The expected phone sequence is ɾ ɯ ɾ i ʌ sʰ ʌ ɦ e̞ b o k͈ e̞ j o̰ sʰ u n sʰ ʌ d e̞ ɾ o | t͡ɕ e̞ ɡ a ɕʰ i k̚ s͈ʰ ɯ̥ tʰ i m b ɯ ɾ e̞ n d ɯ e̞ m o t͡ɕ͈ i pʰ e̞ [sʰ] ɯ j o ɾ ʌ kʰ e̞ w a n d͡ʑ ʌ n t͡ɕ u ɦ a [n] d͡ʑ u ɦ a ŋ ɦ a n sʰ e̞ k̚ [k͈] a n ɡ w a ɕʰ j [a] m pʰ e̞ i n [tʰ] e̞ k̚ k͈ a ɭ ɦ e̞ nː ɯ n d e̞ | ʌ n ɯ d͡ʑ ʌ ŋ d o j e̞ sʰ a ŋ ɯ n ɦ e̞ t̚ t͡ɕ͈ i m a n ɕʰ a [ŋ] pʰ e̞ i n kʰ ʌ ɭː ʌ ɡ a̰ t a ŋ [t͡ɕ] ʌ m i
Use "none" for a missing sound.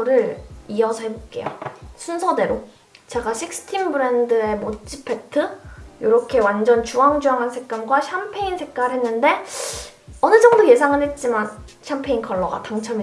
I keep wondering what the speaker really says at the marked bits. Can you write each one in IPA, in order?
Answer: tʰ, ŋ, k͈, a, sʰ, m, t͡ɕʰ

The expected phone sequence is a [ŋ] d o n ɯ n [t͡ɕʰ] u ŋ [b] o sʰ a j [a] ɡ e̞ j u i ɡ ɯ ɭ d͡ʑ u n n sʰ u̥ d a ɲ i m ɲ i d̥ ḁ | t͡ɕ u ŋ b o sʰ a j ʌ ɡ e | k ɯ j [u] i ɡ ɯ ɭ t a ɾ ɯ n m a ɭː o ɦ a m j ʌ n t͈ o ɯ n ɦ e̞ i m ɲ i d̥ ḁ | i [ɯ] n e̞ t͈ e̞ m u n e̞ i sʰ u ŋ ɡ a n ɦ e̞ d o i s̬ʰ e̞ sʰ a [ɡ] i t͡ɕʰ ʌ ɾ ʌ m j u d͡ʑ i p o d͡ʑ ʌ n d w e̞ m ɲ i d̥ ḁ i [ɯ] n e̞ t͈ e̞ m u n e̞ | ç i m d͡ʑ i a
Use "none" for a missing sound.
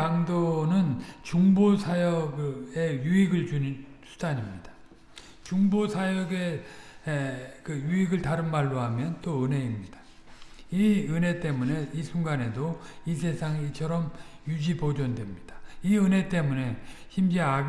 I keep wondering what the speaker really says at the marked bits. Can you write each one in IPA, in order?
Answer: ŋ, t͡ɕ, b, ʌ, u, ɯ, ŋ, ɯ

